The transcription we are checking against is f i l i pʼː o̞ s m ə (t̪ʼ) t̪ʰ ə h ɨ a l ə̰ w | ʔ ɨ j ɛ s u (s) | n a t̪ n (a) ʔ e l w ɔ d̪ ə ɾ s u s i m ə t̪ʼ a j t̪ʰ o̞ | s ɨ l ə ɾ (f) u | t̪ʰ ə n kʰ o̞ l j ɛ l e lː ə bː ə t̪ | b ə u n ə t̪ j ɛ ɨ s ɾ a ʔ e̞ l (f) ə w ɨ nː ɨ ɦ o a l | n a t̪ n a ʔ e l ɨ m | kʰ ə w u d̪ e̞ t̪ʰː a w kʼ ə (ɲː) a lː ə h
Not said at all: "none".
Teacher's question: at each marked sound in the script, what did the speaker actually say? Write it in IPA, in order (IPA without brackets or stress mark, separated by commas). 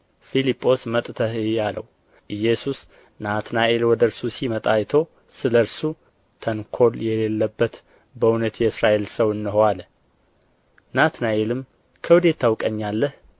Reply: t̪ʼ, s, a, s, s, ɲː